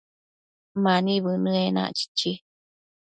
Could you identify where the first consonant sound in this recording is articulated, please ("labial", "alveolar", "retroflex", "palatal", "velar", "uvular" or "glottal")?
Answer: labial